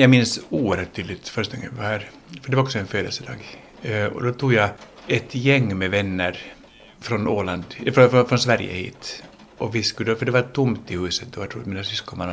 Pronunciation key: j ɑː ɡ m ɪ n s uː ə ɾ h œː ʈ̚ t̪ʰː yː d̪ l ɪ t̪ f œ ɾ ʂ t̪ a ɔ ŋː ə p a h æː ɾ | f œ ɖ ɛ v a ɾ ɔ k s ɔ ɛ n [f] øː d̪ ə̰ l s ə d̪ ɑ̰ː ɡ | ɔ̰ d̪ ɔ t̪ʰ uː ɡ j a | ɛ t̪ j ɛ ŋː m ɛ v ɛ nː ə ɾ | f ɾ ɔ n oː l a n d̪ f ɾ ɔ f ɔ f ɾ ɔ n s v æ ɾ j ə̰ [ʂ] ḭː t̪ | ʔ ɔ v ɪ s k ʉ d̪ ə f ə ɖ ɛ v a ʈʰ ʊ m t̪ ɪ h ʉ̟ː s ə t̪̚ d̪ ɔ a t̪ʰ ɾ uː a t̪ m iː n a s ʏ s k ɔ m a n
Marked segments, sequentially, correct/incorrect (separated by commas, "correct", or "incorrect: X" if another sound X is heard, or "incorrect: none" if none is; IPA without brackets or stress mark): correct, incorrect: h